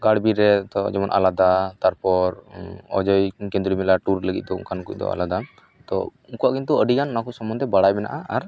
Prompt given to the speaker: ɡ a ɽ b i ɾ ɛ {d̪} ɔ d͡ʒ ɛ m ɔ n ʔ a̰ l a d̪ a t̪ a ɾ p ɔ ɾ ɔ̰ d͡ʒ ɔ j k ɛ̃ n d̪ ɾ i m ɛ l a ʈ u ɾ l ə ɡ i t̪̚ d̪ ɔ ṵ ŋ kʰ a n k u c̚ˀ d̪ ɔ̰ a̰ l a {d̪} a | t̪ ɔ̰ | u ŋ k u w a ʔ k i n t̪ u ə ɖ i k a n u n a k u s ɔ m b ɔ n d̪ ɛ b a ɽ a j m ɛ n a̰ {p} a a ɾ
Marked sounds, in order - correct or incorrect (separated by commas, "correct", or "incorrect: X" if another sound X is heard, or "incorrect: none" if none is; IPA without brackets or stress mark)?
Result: incorrect: t̪, correct, incorrect: ʔ